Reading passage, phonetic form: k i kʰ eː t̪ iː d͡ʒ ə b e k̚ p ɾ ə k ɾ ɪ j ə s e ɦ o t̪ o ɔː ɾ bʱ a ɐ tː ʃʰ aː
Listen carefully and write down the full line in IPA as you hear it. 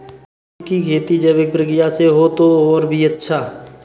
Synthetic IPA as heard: k i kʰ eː t̪ i d͡ʒ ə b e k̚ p ɾ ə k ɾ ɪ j a s e ɦ o t̪ o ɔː ɾ bʱ i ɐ tː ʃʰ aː